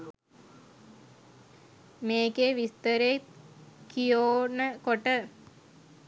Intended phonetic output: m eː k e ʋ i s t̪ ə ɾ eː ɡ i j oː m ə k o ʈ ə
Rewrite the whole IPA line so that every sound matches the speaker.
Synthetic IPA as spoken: m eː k e ʋ i s t̪ ə ɾ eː k i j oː n ə k o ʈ ə